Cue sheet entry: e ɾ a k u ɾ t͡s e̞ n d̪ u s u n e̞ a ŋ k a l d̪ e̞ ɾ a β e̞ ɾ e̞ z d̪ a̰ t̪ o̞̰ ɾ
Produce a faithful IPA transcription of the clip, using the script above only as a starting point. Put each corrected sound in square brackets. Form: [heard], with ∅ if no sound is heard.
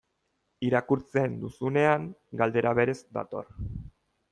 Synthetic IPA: [i] ɾ a k u ɾ t͡s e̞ n d̪ u s u n e̞ a ŋ [ɡ] a l d̪ e̞ ɾ a β e̞ ɾ e̞ z d̪ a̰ t̪ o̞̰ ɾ